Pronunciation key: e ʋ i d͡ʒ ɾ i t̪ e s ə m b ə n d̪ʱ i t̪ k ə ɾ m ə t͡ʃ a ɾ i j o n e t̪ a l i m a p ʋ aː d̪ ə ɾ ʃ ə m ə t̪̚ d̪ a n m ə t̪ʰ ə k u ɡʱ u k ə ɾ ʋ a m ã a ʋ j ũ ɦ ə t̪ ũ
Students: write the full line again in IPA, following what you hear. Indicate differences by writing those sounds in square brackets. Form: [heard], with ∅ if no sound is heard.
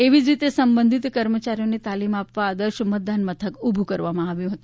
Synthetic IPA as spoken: e ʋ i d͡ʒ ɾ i t̪ e s ə m b ə n d̪ʱ i t̪ k ə ɾ m ə t͡ʃ a ɾ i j o n e t̪ a l i m a p ʋ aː d̪ ə ɾ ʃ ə m ə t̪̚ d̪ a n m ə t̪ʰ ə k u [bʱ] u k ə ɾ ʋ a m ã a ʋ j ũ ɦ ə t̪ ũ